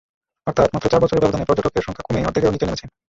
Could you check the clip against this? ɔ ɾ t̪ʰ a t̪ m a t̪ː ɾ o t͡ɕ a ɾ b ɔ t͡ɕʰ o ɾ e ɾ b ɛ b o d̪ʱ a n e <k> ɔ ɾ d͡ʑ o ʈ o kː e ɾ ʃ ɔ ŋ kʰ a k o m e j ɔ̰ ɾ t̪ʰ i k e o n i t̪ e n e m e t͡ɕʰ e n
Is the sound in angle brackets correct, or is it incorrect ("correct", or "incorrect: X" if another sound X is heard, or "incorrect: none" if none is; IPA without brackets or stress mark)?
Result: incorrect: p